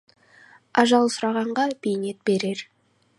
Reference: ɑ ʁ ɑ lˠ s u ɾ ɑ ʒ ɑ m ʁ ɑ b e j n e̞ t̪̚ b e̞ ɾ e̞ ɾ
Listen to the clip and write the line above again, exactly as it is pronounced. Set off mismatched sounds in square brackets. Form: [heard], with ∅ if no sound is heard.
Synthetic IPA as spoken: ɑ [ʒ] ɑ lˠ s [ʊ] ɾ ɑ [ʁ] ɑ [ɴ] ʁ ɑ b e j n e̞ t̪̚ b e̞ ɾ e̞ ɾ